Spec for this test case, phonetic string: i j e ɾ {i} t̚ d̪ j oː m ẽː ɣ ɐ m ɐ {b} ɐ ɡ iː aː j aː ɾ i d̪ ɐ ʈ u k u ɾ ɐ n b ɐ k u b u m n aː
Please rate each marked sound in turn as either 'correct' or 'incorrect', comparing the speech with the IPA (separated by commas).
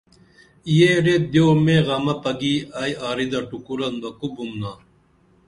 incorrect, incorrect